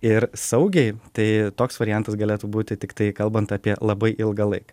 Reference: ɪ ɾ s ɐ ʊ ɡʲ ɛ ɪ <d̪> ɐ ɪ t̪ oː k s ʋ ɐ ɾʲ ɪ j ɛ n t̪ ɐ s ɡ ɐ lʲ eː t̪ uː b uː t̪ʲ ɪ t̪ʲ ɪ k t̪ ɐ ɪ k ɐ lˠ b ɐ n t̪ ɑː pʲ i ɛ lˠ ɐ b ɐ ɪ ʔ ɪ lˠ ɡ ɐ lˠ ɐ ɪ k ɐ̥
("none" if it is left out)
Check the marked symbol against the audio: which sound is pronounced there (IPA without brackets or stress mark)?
t̪